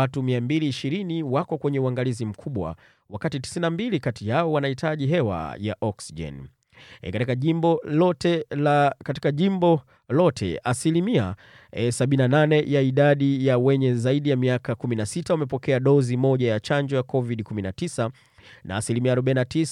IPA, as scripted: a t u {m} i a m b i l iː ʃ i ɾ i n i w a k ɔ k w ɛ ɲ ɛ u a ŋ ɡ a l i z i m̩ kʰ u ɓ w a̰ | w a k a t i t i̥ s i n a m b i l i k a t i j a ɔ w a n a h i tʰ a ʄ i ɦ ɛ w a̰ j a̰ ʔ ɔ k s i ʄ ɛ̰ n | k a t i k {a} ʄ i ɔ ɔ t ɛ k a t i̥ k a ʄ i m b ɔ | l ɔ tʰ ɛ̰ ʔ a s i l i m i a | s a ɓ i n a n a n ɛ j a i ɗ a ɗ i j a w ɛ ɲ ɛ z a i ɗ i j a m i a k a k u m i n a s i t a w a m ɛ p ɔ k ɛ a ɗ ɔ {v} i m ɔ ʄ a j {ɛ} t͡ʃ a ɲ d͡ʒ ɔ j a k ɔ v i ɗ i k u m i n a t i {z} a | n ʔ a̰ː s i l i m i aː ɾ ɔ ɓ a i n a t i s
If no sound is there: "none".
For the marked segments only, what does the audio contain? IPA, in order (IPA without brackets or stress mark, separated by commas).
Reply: m, a, z, a, s